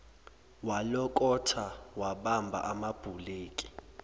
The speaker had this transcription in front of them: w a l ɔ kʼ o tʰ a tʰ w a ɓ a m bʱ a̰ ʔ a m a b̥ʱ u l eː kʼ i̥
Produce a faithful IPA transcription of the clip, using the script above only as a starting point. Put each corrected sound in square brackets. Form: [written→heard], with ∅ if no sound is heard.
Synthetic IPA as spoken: w a l ɔ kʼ [o→ɔ] tʰ a [tʰ→∅] w a ɓ a m bʱ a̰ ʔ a m a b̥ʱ u l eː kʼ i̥